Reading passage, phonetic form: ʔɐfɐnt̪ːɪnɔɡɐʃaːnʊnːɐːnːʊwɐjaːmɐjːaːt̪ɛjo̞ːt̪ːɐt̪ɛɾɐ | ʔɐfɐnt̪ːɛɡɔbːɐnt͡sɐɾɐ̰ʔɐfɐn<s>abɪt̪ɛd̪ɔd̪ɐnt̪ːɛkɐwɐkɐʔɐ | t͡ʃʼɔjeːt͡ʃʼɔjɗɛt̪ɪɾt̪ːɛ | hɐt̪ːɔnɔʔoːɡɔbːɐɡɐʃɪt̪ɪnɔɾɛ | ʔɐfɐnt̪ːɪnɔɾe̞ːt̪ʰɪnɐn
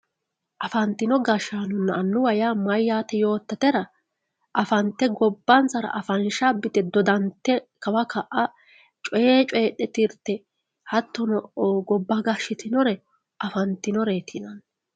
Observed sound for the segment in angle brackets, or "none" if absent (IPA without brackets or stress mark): ʃ